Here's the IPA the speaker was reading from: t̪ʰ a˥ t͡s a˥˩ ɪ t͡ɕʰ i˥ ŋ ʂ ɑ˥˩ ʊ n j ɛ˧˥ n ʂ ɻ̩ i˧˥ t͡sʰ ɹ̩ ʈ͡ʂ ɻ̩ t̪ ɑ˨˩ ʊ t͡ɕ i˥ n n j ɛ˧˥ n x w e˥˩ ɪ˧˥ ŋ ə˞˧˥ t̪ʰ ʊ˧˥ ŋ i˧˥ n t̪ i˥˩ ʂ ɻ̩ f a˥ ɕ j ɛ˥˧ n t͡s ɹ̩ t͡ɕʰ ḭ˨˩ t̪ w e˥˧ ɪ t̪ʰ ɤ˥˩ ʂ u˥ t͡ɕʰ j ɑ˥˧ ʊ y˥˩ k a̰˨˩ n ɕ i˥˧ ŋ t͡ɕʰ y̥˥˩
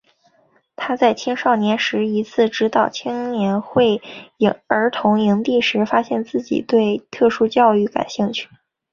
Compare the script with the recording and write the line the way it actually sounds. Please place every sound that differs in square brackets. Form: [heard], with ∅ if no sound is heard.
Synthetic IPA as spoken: t̪ʰ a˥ t͡s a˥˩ ɪ t͡ɕʰ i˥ ŋ ʂ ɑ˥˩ ʊ n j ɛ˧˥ n ʂ ɻ̩ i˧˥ t͡sʰ ɹ̩ ʈ͡ʂ ɻ̩ t̪ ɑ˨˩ ʊ [t͡ɕʰ] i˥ [ŋ] n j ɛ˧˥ n x w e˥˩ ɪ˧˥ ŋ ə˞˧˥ t̪ʰ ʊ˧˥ ŋ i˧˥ [ŋ] t̪ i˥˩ ʂ ɻ̩ f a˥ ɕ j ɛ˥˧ n t͡s ɹ̩ [t͡ɕ] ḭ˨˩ t̪ w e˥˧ ɪ t̪ʰ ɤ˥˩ ʂ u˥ [t͡ɕ] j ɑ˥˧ ʊ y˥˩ k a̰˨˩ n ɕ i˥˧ ŋ t͡ɕʰ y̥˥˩